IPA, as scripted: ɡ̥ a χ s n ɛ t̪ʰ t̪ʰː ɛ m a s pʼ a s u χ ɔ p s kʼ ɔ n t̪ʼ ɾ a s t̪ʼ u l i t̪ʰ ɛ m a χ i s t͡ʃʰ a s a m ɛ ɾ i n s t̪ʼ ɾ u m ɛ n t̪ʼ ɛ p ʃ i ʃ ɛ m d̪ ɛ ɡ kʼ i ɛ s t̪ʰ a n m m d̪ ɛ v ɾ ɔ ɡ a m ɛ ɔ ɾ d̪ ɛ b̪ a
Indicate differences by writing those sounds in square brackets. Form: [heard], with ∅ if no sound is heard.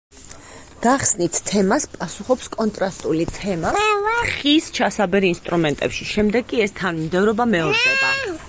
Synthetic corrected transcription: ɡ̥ a χ s n [i] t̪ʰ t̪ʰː ɛ m a s pʼ a s u χ ɔ p s kʼ ɔ n t̪ʼ ɾ a s t̪ʼ u l i t̪ʰ ɛ m a χ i s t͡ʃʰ a s a [b] ɛ ɾ i n s t̪ʼ ɾ u m ɛ n t̪ʼ ɛ p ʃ i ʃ ɛ m d̪ ɛ ɡ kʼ i ɛ s t̪ʰ a n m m d̪ ɛ v ɾ ɔ [b] a m ɛ ɔ ɾ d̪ ɛ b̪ a

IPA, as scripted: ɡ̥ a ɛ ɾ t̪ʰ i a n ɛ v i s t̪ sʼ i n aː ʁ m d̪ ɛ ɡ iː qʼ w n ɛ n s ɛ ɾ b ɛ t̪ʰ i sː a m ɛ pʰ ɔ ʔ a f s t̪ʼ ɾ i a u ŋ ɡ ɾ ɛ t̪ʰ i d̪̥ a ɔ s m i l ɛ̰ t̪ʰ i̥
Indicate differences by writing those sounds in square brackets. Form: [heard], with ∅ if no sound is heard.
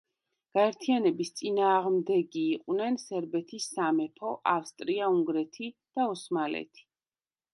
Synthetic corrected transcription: ɡ̥ a ɛ ɾ t̪ʰ i a n ɛ [b] i s t̪ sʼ i n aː ʁ m d̪ ɛ ɡ iː qʼ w n ɛ n s ɛ ɾ b ɛ t̪ʰ i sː a m ɛ pʰ ɔ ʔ a f s t̪ʼ ɾ i a u ŋ ɡ ɾ ɛ t̪ʰ i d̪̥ a ɔ s m [a] l ɛ̰ t̪ʰ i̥

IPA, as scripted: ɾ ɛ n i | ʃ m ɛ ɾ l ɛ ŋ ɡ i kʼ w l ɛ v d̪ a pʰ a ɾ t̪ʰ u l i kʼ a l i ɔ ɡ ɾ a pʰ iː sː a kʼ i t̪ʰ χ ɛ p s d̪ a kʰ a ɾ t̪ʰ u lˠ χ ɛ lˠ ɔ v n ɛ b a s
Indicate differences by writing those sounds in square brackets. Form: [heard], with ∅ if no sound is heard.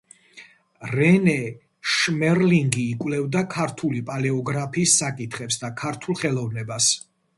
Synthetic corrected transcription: ɾ ɛ n [ɛ] | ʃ m ɛ ɾ l [i] ŋ ɡ [iː] kʼ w l ɛ v d̪ a [kʰ] a ɾ t̪ʰ u l i [pʼ] a l [ɛ] ɔ ɡ ɾ a pʰ iː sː a kʼ i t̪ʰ χ ɛ p s d̪ a kʰ a ɾ t̪ʰ u lˠ χ ɛ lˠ ɔ v n ɛ b a s

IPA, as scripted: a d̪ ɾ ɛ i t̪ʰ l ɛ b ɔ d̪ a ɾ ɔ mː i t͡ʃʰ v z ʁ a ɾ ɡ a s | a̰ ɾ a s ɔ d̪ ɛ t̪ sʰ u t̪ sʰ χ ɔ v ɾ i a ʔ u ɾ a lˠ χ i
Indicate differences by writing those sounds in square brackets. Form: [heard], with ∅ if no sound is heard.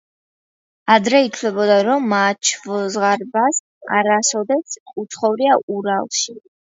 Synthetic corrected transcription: a d̪ ɾ ɛ i t̪ʰ l ɛ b ɔ d̪ a ɾ ɔ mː [a] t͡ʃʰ v z ʁ a ɾ [b] a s | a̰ ɾ a s ɔ d̪ ɛ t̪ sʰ u t̪ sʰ χ ɔ v ɾ i a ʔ u ɾ a lˠ [ʃ] i

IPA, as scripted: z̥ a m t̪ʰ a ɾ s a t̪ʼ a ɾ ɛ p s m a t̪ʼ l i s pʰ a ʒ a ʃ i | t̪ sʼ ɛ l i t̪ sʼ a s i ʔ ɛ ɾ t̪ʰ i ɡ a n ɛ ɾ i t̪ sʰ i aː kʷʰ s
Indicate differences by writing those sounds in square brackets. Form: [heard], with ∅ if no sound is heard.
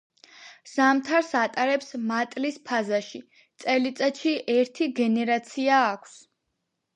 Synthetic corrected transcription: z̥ a m t̪ʰ a ɾ s a t̪ʼ a ɾ ɛ p s m a t̪ʼ l i s pʰ a [z] a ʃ i | t̪ sʼ ɛ l i t̪ sʼ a [ʃ] i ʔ ɛ ɾ t̪ʰ i ɡ [ɛ] n ɛ ɾ [a] t̪ sʰ i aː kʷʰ s

